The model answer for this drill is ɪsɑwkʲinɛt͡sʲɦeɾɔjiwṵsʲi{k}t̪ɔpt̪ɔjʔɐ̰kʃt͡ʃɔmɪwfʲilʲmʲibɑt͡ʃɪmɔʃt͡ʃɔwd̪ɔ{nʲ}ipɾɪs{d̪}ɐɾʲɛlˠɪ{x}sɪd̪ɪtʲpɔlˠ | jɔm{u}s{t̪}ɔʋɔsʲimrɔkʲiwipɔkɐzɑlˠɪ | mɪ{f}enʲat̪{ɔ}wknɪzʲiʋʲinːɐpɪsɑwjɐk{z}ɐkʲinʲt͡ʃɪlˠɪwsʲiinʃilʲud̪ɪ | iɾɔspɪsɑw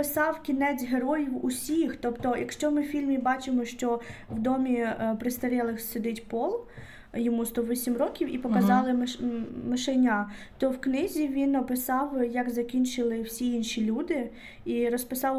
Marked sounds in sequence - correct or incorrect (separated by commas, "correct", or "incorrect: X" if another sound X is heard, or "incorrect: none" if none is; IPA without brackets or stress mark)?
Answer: incorrect: x, incorrect: mʲ, incorrect: t̪, correct, correct, correct, incorrect: ʃ, correct, correct